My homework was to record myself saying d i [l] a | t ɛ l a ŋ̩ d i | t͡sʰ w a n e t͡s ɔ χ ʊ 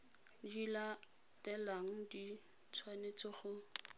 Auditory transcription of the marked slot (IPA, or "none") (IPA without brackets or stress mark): l